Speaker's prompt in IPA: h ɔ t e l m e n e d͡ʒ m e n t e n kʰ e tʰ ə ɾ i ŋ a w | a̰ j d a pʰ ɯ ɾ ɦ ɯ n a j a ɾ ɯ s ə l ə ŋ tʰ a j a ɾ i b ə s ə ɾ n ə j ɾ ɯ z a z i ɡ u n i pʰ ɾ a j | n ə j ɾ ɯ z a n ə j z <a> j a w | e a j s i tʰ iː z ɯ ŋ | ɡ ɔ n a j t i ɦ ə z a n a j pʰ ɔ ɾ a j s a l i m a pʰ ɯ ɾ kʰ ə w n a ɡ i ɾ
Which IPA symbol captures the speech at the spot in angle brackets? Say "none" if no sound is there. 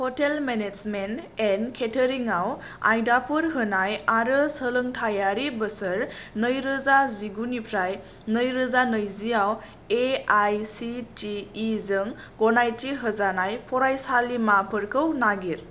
i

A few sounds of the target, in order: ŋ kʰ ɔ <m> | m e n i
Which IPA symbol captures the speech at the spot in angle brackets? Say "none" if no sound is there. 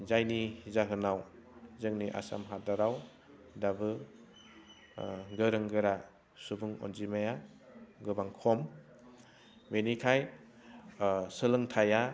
m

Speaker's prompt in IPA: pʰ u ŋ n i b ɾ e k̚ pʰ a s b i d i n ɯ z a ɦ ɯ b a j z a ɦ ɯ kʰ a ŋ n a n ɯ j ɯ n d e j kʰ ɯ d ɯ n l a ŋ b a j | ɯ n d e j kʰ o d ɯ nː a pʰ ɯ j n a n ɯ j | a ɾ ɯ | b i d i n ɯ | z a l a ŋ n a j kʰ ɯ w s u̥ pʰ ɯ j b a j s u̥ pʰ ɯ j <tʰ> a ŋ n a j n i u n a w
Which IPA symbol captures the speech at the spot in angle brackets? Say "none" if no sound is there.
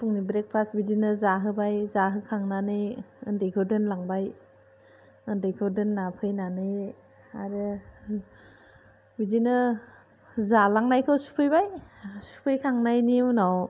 kʰ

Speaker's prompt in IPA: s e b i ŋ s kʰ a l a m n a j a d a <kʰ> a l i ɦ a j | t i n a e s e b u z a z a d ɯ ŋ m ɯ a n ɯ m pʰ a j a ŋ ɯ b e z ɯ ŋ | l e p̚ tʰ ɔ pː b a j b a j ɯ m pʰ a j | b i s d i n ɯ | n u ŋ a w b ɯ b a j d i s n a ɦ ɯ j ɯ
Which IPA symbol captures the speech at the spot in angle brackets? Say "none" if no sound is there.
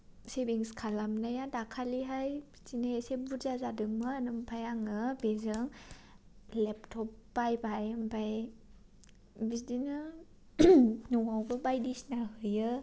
kʰ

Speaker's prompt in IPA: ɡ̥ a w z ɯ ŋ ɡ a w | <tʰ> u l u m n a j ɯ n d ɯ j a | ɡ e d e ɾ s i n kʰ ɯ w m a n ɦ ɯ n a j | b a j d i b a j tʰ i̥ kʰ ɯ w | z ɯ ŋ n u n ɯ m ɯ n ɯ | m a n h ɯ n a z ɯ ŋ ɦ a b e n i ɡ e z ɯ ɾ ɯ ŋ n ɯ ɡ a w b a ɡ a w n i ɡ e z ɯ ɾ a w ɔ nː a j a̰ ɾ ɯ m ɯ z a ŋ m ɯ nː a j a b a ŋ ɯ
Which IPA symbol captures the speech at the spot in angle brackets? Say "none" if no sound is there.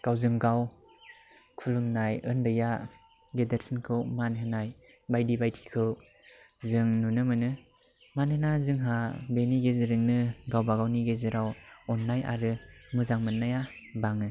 kʰ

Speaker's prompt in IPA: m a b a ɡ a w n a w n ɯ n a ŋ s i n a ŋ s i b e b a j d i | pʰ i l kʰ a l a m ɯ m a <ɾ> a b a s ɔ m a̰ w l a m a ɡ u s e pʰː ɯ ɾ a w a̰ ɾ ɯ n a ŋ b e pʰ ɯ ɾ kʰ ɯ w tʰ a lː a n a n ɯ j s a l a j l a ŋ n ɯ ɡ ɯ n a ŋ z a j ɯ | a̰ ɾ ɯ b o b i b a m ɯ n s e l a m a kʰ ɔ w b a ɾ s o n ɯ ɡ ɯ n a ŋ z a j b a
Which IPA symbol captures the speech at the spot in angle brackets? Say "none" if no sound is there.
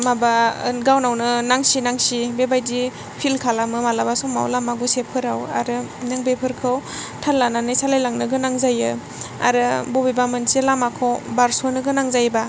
l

